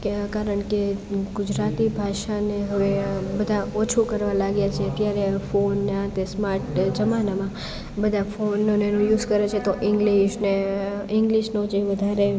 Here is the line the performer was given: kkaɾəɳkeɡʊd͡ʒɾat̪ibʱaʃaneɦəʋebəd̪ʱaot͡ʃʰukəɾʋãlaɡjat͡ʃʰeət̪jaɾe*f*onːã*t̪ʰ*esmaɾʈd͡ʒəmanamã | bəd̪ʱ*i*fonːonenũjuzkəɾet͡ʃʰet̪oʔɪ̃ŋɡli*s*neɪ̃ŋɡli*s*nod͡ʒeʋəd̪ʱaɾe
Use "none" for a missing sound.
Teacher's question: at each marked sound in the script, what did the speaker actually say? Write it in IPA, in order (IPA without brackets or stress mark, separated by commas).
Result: f, t̪, a, ʃ, ʃ